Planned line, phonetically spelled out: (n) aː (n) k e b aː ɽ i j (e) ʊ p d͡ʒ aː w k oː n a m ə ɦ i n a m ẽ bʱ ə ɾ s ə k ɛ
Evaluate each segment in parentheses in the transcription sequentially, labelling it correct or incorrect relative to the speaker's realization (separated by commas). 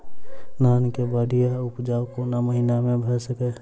correct, correct, incorrect